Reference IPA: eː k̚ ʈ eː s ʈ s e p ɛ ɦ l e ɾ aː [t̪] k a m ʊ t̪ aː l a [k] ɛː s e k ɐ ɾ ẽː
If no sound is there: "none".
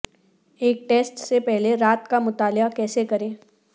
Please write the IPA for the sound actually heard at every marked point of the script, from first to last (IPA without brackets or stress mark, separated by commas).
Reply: t̪, k